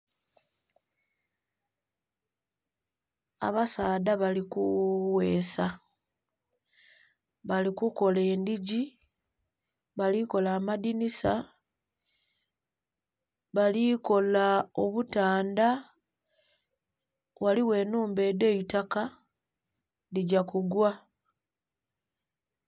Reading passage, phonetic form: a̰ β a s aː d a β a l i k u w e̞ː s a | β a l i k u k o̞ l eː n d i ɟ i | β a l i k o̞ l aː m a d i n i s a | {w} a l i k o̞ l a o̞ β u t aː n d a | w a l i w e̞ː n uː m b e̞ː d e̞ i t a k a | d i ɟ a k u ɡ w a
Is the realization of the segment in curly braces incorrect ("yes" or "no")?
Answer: yes